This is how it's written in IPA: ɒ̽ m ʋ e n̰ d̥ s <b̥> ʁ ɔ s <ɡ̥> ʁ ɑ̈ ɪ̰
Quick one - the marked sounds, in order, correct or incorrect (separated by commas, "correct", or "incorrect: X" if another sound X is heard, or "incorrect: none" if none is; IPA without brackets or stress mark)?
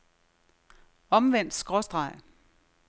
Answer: incorrect: ɡ̥, incorrect: d̥